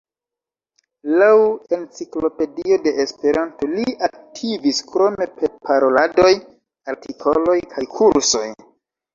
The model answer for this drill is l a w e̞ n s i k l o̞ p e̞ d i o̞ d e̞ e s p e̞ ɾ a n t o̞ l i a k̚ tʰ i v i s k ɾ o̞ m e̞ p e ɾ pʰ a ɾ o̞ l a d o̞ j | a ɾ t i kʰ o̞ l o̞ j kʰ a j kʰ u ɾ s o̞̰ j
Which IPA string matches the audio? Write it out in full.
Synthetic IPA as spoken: l a w e̞ n t͡s i k l o̞ p e̞ d i o̞ d e̞ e s p e̞ ɾ a n t o̞ l i a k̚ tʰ i v i s k ɾ o̞ m e̞ p e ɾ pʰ a ɾ o̞ l a d o̞ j | a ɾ t i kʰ o̞ l o̞ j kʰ a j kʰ u ɾ s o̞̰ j